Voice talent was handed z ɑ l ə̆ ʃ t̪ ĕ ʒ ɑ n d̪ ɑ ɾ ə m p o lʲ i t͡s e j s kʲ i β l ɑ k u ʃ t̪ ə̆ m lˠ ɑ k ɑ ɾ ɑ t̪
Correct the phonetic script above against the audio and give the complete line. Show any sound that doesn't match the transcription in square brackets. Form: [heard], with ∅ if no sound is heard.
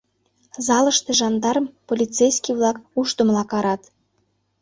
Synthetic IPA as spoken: z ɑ l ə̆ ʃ t̪ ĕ ʒ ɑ n d̪ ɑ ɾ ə m p o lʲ i t͡s e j s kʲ i β l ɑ k u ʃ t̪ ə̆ m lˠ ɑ k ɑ ɾ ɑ t̪